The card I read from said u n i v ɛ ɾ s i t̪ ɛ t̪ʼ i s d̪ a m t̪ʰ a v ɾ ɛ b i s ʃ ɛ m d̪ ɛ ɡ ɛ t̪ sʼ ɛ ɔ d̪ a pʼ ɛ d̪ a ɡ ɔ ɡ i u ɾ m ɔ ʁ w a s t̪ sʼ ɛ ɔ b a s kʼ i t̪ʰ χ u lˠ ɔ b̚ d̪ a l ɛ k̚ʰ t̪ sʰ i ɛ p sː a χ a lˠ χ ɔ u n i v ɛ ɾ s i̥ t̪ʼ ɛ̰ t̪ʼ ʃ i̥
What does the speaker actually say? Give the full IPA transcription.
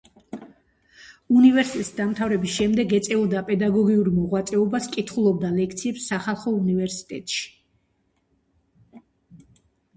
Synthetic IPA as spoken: u n i v ɛ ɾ s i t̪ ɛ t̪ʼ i s d̪ a m t̪ʰ a v ɾ ɛ b i s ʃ ɛ m d̪ ɛ ɡ ɛ t̪ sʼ ɛ ɔ d̪ a pʼ ɛ d̪ a ɡ ɔ ɡ i u ɾ m ɔ ʁ w a t̪ sʼ ɛ ɔ b a s kʼ i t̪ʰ χ u lˠ ɔ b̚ d̪ a l ɛ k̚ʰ t̪ sʰ i ɛ p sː a χ a lˠ χ ɔ u n i v ɛ ɾ s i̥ t̪ʼ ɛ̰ t̪ʼ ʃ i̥